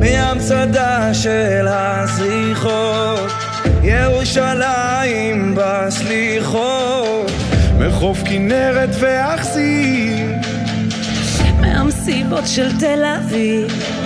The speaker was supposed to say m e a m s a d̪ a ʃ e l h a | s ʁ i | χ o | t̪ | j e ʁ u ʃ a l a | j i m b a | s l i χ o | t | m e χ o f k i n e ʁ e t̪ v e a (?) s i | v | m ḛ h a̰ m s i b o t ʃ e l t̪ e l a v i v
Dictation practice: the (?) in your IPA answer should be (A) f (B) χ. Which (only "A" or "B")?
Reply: B